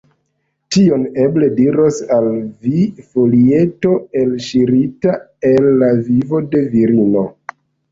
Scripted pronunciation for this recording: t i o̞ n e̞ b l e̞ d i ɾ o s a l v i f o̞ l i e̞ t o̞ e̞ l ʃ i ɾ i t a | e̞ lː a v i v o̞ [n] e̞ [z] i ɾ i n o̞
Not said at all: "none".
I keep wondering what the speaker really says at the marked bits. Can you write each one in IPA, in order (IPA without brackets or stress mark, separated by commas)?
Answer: d, v